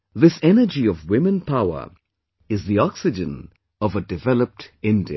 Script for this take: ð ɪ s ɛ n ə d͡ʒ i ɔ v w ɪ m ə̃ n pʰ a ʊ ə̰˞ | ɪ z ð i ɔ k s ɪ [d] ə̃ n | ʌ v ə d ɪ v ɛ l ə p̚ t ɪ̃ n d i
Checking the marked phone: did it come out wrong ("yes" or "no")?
yes